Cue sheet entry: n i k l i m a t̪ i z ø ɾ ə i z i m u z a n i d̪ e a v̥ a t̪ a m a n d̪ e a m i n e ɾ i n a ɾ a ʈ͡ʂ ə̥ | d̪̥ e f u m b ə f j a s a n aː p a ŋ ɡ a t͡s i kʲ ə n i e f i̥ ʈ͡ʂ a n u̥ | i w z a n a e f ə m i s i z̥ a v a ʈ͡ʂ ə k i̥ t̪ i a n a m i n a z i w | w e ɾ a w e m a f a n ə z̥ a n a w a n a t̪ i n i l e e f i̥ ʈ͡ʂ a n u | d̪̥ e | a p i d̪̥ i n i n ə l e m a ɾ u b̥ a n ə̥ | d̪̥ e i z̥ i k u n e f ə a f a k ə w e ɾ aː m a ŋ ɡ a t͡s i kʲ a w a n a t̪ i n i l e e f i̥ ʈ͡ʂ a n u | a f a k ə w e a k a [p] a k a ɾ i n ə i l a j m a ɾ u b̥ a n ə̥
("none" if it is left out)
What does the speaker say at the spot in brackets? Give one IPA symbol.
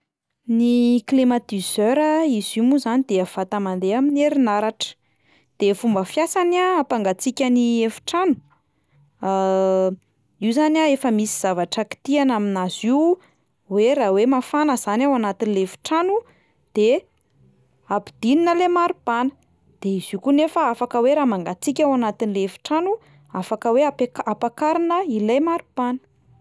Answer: p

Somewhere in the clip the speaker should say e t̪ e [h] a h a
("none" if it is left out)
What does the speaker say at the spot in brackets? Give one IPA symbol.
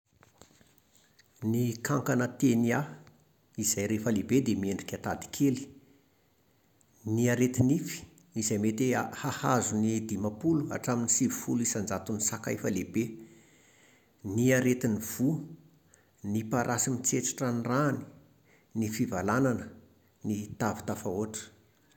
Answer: h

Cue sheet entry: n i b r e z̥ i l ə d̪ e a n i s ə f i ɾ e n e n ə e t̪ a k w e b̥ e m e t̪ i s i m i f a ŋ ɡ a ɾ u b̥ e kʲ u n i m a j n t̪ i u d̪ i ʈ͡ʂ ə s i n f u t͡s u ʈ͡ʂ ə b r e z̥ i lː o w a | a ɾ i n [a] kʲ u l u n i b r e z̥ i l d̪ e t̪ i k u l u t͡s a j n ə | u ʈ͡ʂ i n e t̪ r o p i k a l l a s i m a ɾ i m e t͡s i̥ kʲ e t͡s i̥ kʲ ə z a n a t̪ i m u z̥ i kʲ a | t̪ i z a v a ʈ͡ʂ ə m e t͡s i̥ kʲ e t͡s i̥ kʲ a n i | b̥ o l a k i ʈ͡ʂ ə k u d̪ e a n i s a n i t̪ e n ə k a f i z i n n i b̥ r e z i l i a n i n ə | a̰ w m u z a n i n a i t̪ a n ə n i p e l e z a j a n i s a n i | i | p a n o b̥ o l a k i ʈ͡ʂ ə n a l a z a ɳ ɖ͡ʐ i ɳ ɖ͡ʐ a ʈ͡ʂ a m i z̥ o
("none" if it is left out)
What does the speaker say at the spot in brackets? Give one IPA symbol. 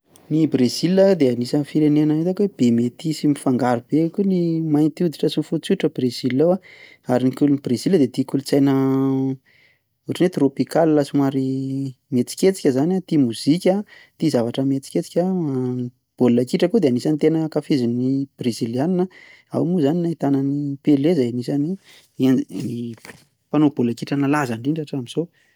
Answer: i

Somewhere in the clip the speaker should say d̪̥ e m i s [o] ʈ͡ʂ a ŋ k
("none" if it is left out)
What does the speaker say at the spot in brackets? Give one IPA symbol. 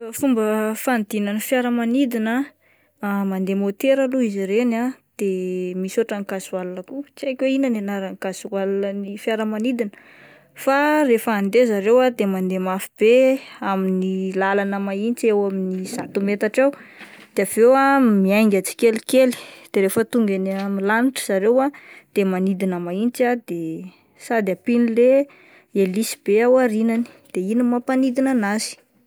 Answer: o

